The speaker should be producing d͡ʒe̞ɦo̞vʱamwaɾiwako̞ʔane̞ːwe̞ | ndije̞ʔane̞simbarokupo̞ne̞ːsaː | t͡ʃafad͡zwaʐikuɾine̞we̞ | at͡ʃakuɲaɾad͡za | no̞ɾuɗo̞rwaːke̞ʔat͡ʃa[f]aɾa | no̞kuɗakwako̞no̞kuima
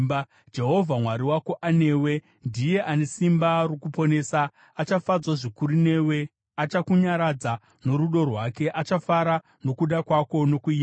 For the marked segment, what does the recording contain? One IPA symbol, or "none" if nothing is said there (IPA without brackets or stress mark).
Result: f